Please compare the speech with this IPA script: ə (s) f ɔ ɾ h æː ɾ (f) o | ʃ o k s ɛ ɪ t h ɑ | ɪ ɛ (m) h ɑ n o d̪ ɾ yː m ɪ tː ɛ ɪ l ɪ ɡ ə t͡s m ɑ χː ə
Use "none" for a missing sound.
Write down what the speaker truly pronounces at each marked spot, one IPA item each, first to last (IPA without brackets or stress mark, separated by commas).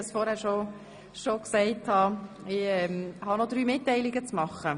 s, ʃ, m